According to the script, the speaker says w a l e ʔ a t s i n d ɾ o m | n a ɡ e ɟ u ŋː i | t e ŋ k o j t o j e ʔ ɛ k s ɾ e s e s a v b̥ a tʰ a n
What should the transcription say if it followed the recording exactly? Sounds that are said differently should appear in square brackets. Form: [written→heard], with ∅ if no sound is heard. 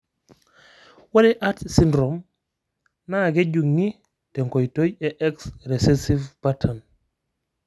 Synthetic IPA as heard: w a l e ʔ a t s i n d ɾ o m | n a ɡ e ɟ u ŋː i | t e ŋ k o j t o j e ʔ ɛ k s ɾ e s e s [a→i] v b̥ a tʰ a n